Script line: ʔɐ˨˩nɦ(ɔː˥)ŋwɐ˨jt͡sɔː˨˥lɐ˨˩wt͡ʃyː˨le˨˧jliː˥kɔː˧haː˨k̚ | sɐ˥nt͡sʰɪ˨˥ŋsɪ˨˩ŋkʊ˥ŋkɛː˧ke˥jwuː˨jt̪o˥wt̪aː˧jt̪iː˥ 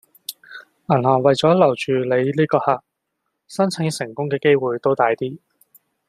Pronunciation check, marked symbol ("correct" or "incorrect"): incorrect